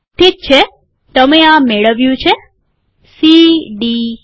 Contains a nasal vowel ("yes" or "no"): yes